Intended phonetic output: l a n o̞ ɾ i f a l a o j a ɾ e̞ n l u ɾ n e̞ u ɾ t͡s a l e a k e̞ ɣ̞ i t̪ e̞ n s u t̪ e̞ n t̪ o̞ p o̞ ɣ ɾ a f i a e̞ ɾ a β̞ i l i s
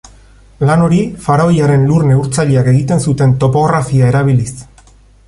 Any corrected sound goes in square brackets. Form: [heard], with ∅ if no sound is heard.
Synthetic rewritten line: l a n o̞ ɾ i f a [ɾ] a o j a ɾ e̞ n l u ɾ n e̞ u ɾ t͡s a [ʎ] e a k e̞ ɣ̞ i t̪ e̞ n s u t̪ e̞ n t̪ o̞ p o̞ ɣ ɾ a f i a e̞ ɾ a β̞ i l i s